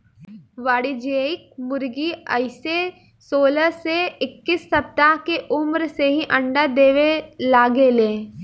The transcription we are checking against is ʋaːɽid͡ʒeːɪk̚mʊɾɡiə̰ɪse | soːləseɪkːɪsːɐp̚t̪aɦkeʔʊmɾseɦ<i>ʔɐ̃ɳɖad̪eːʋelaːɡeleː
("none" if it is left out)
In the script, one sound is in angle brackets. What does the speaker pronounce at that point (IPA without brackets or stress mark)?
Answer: i